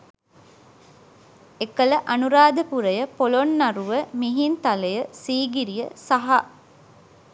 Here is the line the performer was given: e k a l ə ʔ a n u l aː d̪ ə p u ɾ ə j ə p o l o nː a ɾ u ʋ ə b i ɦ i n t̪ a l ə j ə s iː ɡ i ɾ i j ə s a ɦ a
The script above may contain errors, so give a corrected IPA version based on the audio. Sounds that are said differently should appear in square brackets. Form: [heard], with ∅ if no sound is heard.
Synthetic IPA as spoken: e k [ə] l ə ʔ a n u [ɾ] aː d̪ ə p u ɾ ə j ə p o l o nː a ɾ u ʋ ə [m] i ɦ i n t̪ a l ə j ə s iː ɡ i ɾ i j ə s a ɦ a

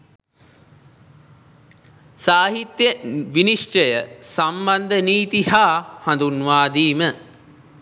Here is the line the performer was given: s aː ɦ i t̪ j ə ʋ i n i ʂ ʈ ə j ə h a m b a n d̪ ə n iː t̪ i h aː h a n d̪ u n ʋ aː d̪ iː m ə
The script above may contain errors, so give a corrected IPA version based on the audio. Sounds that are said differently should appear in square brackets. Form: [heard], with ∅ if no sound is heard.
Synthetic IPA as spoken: s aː ɦ i t̪ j ə ʋ i n i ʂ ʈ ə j ə [s] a m b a n d̪ ə n iː t̪ i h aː h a n d̪ u n ʋ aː d̪ iː m ə

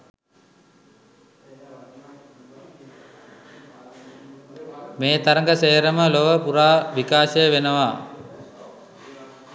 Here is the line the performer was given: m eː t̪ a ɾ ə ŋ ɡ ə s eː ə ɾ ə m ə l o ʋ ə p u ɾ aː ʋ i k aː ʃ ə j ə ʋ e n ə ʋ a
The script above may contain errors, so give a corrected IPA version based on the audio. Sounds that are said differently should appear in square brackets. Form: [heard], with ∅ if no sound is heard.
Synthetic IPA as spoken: m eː t̪ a ɾ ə ŋ ɡ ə s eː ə ɾ ə m ə l o ʋ ə p u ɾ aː ʋ i k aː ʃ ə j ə ʋ e n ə ʋ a

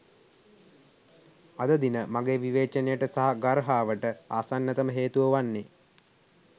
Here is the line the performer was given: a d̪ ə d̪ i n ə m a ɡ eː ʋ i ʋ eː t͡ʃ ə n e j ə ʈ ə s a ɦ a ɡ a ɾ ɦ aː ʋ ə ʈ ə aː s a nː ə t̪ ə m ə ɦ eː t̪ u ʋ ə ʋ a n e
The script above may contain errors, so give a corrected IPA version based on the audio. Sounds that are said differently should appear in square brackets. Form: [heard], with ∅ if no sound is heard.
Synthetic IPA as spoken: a d̪ ə d̪ i n ə m a ɡ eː ʋ i ʋ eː t͡ʃ ə n e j ə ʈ ə s a ɦ a ɡ a ɾ ɦ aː ʋ ə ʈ ə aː s a nː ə t̪ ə m ə ɦ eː t̪ u ʋ ə ʋ a [nː] e

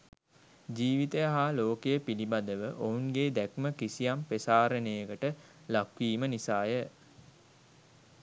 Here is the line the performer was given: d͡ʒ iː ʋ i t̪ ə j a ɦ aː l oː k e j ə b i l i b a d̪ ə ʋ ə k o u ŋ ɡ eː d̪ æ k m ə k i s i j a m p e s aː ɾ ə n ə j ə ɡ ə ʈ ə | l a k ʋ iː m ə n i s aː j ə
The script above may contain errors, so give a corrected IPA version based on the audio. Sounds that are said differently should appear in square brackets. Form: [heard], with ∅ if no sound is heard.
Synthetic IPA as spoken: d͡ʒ iː ʋ i t̪ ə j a ɦ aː l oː k e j ə [p] i l i b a d̪ ə ʋ ə [ʔ] o u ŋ ɡ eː d̪ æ k m ə k i s i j a m p e s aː ɾ ə n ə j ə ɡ ə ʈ ə | l a k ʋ iː m ə n i s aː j ə

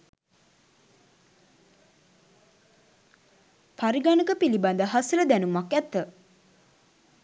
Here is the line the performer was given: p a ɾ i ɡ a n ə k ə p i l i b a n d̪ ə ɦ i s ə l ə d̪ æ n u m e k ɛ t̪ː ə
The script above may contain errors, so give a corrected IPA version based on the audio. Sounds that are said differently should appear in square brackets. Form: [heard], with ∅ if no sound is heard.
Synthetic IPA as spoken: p a ɾ i ɡ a n ə k ə p i l i b a n d̪ ə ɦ [a] s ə l ə d̪ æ n u m [a] k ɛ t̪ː ə

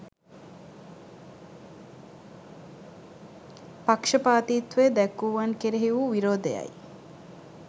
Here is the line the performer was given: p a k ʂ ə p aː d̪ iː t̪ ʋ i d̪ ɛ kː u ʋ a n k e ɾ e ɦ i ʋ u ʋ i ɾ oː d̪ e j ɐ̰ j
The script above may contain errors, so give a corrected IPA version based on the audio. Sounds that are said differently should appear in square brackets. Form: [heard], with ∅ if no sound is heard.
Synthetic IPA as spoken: p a k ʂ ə p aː [t̪] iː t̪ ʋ [e] d̪ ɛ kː u ʋ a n k e ɾ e ɦ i ʋ u ʋ i ɾ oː d̪ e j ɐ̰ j

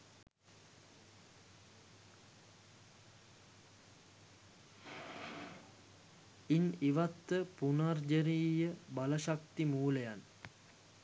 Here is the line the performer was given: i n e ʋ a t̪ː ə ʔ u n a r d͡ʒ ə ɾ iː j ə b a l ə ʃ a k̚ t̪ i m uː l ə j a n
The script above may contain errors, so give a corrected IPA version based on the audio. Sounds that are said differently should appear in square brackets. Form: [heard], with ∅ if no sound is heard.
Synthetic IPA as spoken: i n [i] ʋ a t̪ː ə [p] u n a r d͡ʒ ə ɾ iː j ə b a l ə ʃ a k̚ t̪ i m uː l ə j a n

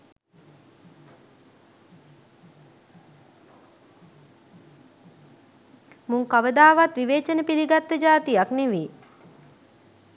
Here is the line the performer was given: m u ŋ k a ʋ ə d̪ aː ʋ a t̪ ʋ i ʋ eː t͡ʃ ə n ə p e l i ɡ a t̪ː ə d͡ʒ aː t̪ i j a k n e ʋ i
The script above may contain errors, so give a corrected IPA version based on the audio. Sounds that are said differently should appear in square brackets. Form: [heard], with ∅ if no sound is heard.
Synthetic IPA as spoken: m u ŋ k a ʋ ə d̪ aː ʋ a t̪ ʋ i ʋ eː t͡ʃ ə n ə p [i] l i ɡ a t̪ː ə d͡ʒ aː t̪ i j a k n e ʋ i

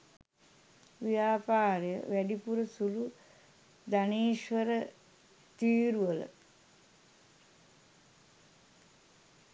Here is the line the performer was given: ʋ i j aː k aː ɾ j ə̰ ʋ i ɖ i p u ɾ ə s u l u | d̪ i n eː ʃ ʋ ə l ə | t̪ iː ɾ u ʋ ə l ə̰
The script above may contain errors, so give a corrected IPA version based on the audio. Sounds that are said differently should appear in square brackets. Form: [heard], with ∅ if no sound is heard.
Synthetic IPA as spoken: ʋ i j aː [p] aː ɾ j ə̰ ʋ [æ] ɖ i p u ɾ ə s u l u | d̪ [a] n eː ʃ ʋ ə [ɾ] ə | t̪ iː ɾ u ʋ ə l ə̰

